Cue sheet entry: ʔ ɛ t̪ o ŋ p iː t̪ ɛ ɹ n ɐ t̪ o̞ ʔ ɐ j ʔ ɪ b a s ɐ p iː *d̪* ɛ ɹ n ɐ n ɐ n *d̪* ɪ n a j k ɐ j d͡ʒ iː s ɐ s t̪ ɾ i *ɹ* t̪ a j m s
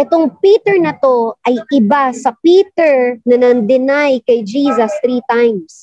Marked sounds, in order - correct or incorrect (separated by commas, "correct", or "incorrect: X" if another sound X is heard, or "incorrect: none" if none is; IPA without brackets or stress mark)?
incorrect: t̪, correct, incorrect: none